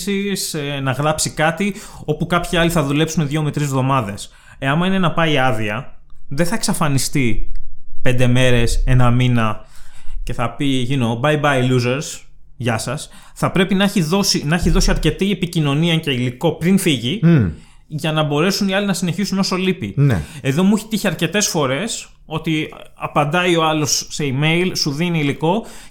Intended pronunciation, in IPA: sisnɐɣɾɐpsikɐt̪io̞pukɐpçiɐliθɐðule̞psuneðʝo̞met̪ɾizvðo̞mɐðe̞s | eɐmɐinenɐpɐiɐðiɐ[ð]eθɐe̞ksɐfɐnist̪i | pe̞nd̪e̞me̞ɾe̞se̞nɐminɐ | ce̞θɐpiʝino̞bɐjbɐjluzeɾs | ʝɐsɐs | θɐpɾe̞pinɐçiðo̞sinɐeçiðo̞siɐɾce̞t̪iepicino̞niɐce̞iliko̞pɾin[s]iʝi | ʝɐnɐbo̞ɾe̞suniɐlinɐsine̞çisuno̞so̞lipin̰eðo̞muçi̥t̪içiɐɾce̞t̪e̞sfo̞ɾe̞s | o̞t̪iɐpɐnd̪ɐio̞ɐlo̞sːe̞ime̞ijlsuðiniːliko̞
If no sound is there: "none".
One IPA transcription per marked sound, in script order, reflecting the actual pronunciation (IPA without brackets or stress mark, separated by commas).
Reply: ð, f